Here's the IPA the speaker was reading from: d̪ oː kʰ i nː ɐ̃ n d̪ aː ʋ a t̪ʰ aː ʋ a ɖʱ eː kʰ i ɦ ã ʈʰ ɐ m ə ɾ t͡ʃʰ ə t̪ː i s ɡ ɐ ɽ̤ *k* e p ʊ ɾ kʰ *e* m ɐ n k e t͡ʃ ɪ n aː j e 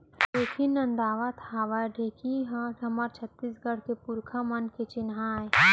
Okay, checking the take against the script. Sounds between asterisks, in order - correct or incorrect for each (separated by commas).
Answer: correct, incorrect